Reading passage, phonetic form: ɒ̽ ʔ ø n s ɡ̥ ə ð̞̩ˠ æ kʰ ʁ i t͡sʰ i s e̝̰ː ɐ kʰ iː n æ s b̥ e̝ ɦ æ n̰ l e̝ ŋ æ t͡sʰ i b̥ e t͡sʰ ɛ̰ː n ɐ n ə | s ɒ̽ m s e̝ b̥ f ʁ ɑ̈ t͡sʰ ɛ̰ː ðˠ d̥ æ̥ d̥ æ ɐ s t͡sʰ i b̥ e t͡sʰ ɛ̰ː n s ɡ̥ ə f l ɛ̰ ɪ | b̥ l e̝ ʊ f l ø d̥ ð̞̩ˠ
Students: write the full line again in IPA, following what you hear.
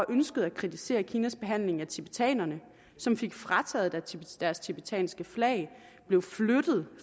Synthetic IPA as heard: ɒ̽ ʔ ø n s ɡ̥ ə ð̞̩ˠ æ kʰ ʁ i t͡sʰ i s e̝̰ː ɐ kʰ iː n æ s b̥ e̝ ɦ æ n̰ l e̝ ŋ æ t͡sʰ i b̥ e t͡sʰ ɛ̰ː n ɐ n ə | s ɒ̽ m f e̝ ɡ̥ f ʁ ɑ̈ t͡sʰ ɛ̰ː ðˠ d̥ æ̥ d̥ æ ɐ s t͡sʰ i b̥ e t͡sʰ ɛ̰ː n s ɡ̥ ə f l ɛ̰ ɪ | b̥ l e̝ ʊ f l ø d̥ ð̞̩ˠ